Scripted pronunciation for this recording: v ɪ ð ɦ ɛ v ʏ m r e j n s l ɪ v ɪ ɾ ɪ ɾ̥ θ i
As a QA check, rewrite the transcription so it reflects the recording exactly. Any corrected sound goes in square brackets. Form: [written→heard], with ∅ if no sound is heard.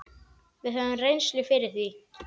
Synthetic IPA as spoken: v ɪ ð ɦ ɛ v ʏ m r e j n s l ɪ [v→f] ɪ ɾ ɪ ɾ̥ θ i